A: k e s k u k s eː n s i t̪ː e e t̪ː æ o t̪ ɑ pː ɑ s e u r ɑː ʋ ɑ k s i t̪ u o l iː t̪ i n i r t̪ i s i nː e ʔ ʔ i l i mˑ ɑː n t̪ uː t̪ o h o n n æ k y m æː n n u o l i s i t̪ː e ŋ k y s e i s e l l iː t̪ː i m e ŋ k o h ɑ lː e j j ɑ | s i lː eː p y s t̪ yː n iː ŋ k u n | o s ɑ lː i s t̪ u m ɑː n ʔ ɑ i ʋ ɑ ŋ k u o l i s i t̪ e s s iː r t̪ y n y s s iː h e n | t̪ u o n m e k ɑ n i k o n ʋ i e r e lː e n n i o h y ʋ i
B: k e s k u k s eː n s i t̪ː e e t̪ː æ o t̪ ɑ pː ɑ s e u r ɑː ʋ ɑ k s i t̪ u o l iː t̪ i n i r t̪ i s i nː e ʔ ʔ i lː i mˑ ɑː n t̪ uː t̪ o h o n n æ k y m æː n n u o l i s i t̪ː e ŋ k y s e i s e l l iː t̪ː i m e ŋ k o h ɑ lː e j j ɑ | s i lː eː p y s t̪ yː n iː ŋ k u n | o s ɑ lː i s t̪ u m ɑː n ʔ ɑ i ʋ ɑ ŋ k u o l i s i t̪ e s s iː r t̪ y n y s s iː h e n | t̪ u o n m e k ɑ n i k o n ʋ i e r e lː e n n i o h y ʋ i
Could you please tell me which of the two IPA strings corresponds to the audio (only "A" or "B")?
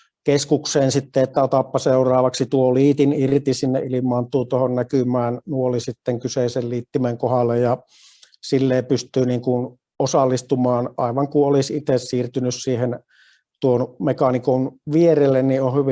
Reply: A